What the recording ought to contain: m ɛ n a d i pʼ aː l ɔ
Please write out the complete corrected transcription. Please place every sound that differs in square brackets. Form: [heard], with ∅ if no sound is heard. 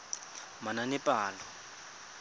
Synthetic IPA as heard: m [a] n a [n] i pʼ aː l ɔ